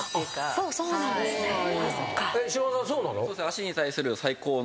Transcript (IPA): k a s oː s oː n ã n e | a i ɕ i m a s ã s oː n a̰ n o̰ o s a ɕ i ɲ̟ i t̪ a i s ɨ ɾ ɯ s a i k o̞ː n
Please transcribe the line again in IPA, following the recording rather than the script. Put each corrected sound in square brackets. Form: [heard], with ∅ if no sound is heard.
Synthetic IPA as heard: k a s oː s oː n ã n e | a [e] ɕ i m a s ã s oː n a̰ n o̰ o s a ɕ i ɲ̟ i t̪ a i s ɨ ɾ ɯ s a i k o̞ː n